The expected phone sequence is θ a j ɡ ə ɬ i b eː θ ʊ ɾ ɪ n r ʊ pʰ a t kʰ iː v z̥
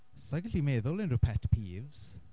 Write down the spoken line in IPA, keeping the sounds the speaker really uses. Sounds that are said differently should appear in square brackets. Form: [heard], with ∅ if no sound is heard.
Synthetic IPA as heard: [s] a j ɡ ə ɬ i [m] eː [ð] ʊ [l] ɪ n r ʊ pʰ [ɛ] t [pʰ] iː v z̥